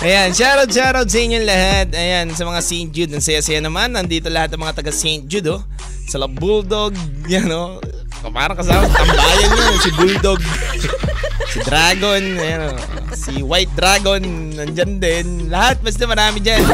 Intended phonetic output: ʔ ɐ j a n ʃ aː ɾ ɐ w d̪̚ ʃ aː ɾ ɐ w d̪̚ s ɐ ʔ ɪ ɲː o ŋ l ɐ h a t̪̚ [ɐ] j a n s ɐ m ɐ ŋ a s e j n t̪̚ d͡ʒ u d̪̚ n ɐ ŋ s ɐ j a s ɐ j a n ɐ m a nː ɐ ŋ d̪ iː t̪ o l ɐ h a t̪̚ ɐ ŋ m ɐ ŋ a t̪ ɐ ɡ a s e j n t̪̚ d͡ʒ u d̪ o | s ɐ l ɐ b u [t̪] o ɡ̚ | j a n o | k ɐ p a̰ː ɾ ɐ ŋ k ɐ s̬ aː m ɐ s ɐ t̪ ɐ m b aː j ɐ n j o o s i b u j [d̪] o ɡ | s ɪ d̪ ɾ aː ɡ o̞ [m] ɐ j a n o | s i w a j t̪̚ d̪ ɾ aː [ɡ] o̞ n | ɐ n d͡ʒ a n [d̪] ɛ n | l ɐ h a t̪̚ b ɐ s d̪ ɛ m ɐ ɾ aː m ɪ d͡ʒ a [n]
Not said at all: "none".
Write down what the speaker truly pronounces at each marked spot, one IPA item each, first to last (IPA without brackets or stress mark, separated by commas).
ɐ, d̪, d̪, n, ɡ, d̪, n